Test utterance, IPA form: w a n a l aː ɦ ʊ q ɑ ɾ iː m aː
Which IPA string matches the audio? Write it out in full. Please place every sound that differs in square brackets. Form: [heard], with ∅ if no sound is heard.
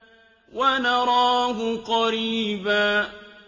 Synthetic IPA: w a n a [ɾ] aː ɦ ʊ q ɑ ɾ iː [b] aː